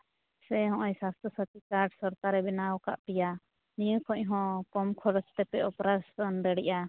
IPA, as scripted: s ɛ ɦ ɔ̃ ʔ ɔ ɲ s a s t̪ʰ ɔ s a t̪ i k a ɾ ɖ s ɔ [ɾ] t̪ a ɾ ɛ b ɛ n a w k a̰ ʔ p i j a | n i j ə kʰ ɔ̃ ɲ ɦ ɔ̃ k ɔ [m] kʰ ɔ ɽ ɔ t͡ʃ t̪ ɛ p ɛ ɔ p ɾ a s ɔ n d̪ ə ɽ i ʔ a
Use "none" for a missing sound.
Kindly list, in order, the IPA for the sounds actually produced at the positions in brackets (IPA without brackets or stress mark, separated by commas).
ɾ, m